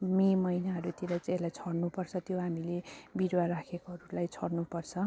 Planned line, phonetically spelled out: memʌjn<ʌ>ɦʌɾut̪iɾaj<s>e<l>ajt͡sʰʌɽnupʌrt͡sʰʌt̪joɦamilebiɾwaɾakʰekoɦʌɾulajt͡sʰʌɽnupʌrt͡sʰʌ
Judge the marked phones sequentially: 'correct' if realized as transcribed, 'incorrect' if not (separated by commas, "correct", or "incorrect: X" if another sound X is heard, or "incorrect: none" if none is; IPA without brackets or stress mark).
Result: incorrect: a, incorrect: t͡s, correct